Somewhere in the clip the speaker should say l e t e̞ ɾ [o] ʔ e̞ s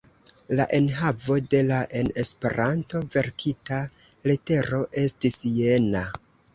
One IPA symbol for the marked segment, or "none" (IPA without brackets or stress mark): o